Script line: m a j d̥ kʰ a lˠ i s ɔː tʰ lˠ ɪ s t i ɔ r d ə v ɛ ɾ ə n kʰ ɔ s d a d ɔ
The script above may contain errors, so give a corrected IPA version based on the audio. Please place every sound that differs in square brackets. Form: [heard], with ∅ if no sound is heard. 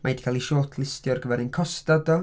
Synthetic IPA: m a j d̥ kʰ a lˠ i [ʃ] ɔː tʰ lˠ ɪ s t [j] ɔ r [ɡ] ə v ɛ ɾ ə n kʰ ɔ s [t] a d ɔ